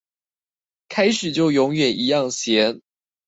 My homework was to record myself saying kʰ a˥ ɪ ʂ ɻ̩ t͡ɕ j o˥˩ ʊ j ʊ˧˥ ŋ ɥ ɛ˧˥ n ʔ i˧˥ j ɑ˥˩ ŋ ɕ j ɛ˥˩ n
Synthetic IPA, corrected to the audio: kʰ a˥ ɪ ʂ ɻ̩ t͡ɕ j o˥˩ ʊ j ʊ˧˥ ŋ ɥ ɛ˨˩ n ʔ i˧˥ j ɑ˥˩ ŋ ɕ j ɛ˧˥ n